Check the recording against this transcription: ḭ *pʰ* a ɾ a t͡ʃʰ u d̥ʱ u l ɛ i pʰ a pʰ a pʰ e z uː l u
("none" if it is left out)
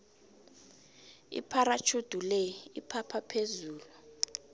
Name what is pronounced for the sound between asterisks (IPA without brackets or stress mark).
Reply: pʰ